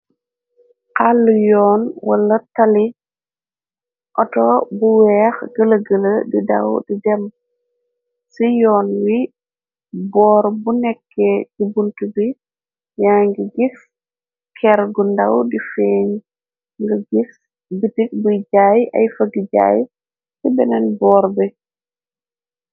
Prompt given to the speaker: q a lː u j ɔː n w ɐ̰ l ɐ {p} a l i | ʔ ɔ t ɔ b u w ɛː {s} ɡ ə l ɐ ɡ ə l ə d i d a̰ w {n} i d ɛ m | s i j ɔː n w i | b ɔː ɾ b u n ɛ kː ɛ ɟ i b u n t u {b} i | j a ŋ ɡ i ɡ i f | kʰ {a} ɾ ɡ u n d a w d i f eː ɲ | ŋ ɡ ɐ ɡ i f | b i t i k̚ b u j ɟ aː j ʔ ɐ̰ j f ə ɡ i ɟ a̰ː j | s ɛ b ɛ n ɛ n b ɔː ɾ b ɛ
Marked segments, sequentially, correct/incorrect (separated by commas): incorrect, incorrect, incorrect, correct, incorrect